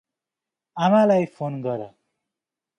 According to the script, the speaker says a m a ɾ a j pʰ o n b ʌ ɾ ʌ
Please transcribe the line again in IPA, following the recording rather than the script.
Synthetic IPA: a m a l a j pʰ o n ɡ ʌ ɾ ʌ